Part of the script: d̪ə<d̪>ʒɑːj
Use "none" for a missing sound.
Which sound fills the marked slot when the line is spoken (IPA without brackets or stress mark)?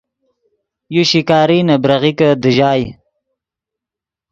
none